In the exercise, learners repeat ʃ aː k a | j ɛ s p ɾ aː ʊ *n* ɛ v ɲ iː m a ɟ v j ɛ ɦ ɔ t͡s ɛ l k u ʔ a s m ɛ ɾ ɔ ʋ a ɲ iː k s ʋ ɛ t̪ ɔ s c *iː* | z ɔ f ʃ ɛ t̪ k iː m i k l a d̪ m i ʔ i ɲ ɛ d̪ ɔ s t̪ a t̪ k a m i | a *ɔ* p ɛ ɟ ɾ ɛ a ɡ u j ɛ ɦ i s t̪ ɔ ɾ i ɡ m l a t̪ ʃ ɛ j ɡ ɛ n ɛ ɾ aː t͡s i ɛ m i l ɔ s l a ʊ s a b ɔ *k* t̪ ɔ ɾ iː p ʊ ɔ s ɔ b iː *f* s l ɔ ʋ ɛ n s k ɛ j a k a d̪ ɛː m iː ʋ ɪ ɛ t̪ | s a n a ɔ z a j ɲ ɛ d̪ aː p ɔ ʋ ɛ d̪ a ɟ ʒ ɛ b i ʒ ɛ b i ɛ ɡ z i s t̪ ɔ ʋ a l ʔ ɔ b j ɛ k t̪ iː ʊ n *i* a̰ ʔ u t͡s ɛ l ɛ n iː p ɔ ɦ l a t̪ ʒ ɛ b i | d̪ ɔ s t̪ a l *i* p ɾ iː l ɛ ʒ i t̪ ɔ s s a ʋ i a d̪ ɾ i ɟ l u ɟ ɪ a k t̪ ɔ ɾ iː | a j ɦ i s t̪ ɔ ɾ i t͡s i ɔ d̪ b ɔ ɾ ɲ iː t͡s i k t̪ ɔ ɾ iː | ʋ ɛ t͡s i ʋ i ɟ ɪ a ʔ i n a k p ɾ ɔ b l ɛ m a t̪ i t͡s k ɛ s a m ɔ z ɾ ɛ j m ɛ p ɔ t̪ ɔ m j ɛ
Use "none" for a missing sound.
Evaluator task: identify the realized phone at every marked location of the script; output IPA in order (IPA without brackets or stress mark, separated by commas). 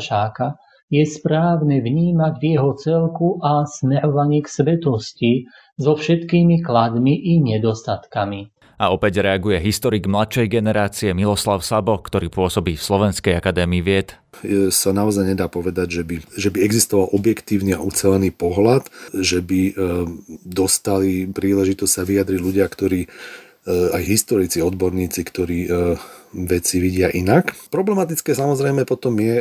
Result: n, i, ɔ, k, f, i, i